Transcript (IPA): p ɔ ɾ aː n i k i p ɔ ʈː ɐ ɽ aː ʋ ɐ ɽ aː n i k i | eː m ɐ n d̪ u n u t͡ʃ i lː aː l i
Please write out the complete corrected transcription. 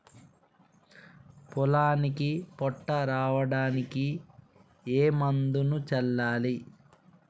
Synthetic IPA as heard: p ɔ l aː n i k i p ɔ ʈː ɐ ɾ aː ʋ ɐ ɽ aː n i k i | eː m ɐ n d̪ u n u t͡ʃ ɛ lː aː l i